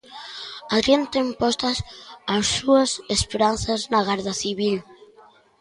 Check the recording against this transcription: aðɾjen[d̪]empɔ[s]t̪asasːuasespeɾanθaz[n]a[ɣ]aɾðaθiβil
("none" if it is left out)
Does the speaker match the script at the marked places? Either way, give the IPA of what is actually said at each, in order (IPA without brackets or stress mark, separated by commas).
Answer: t̪, s, n, ɣ